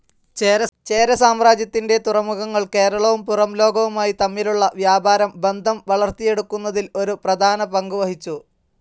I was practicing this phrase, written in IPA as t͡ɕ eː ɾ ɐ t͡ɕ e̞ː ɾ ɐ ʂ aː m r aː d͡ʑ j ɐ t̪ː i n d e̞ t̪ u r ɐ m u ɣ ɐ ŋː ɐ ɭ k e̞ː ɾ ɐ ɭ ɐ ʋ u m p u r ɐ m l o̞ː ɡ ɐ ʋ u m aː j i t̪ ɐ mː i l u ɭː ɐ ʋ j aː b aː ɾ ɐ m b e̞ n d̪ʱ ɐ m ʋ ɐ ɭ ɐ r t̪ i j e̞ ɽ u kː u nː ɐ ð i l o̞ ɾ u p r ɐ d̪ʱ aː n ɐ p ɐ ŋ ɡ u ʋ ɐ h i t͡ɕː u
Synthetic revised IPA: t͡ɕ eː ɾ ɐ t͡ɕ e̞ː ɾ ɐ s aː m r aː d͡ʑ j ɐ t̪ː i n d e̞ t̪ u r ɐ m u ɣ ɐ ŋː ɐ ɭ k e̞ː ɾ ɐ ɭ ɐ ʋ u m p u r ɐ m l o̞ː ɡ ɐ ʋ u m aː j i t̪ ɐ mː i l u ɭː ɐ ʋ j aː b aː ɾ ɐ m b e̞ n d̪ʱ ɐ m ʋ ɐ ɭ ɐ r t̪ i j e̞ ɽ u kː u nː ɐ ð i l o̞ ɾ u p r ɐ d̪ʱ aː n ɐ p ɐ ŋ ɡ u ʋ ɐ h i t͡ɕː u